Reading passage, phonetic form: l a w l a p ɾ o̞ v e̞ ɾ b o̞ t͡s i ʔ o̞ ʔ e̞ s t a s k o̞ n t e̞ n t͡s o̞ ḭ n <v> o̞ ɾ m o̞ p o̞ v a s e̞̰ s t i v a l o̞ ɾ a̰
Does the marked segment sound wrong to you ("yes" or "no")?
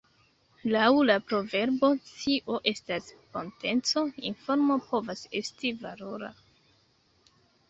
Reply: yes